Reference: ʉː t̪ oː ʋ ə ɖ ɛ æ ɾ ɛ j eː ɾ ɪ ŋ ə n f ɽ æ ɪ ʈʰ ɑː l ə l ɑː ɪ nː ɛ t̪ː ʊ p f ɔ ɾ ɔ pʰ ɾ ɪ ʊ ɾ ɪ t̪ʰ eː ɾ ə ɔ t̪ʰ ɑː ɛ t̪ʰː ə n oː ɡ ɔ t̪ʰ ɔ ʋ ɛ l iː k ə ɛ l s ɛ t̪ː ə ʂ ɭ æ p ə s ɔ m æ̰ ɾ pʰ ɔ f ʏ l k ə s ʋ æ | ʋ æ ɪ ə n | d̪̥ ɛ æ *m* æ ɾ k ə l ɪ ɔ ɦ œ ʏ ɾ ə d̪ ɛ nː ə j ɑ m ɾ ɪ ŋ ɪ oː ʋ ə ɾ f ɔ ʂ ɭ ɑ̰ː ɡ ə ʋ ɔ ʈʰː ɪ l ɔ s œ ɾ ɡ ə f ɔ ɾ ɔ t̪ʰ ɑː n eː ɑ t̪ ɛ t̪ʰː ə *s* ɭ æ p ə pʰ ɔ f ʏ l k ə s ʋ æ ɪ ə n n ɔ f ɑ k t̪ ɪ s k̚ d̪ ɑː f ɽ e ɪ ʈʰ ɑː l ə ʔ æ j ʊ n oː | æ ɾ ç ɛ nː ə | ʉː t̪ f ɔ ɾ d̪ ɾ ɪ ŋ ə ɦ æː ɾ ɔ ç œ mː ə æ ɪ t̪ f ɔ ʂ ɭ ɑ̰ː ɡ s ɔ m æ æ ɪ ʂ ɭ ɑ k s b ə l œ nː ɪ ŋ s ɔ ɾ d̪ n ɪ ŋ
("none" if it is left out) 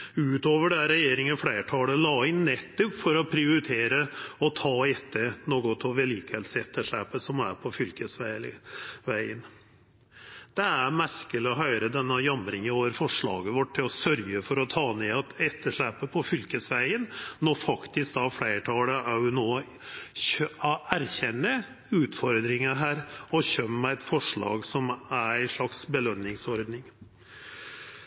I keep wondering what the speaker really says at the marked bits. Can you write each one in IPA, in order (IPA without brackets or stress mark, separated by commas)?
m, ʂ